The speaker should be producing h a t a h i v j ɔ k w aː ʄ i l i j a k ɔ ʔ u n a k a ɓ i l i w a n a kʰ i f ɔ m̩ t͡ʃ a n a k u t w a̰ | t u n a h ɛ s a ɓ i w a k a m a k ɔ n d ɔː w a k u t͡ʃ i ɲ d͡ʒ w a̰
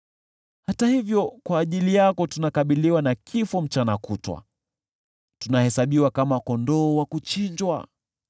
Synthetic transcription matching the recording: h a t a h i v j ɔ k w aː ʄ i l i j a k ɔ t u n a k a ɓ i l i w a n a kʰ i f ɔ m̩ t͡ʃ a n a k u t w a̰ | t u n a h ɛ s a ɓ i w a k a m a k ɔ n d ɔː w a k u t͡ʃ i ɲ d͡ʒ w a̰

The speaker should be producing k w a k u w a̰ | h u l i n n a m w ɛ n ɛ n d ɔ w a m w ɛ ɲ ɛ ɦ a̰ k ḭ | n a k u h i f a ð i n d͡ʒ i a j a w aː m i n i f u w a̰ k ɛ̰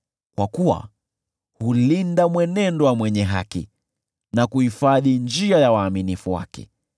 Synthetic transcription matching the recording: k w a k u w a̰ | h u l i n d a m w ɛ n ɛ n d ɔ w a m w ɛ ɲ ɛ ɦ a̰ k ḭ | n a k u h i f a ð i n d͡ʒ i a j a w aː m i n i f u w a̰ k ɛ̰

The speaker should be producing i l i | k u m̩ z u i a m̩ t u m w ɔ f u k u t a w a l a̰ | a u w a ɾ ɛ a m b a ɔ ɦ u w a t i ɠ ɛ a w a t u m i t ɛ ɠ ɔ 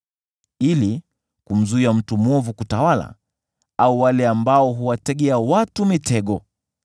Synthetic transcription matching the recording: i l i | k u m̩ z u i a m̩ t u m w ɔ v u k u t a w a l a̰ | a u w a l ɛ a m b a ɔ ɦ u w a t ɛ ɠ ɛ a w a t u m i t ɛ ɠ ɔ

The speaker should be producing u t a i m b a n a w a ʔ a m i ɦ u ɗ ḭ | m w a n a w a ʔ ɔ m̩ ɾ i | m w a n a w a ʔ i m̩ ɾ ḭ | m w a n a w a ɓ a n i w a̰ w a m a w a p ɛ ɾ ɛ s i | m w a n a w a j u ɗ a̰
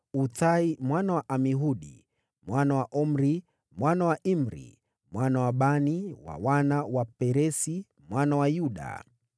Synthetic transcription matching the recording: u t a i m w a n a w a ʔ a m i ɦ u ɗ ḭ | m w a n a w a ʔ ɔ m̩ ɾ i | m w a n a w a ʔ i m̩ ɾ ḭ | m w a n a w a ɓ a n i w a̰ w a n a w a p ɛ ɾ ɛ s i | m w a n a w a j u ɗ a̰

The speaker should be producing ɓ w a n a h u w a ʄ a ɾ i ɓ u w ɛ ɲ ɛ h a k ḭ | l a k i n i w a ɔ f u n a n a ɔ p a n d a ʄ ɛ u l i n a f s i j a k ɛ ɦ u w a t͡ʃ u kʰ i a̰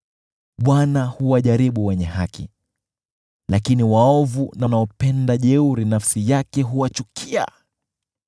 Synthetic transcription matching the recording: ɓ w a n a h u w a ʄ a ɾ i ɓ u w ɛ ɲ ɛ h a k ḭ | l a k i n i w a ɔ v u n a n a ɔ p ɛ n d a ʄ ɛ u ɾ i n a f s i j a k ɛ ɦ u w a t͡ʃ u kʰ i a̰

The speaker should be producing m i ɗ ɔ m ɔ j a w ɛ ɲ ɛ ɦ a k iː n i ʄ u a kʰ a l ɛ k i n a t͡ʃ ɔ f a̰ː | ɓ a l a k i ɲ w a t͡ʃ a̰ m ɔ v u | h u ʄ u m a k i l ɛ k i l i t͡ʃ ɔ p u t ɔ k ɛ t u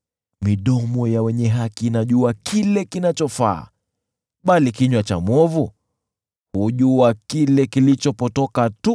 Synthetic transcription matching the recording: m i ɗ ɔ m ɔ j a w ɛ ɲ ɛ ɦ a k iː n a ʄ u a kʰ i l ɛ k i n a t͡ʃ ɔ f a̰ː | ɓ a l i k i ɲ w a t͡ʃ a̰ m ɔ v u | h u ʄ u a k i l ɛ k i l i t͡ʃ ɔ p ɔ t ɔ k a t u

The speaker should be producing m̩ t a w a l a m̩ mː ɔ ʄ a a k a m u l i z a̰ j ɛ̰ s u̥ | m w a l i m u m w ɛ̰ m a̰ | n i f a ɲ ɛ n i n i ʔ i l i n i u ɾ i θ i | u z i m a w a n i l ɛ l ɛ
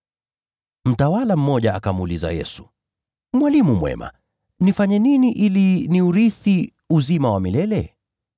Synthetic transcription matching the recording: m̩ t a w a l a m̩ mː ɔ ʄ a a k a m u l i z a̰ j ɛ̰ s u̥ | m w a l i m u m w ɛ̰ m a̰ | n i f a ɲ ɛ n i n i ʔ i l i n i u ɾ i θ i | u z i m a w a m i l ɛ l ɛ

